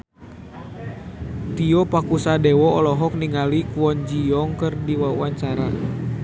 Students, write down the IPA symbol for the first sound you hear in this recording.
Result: t̪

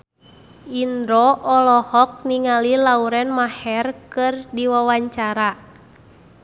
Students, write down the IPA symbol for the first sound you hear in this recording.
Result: i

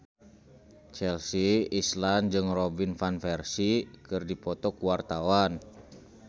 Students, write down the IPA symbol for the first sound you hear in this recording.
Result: t͡ʃ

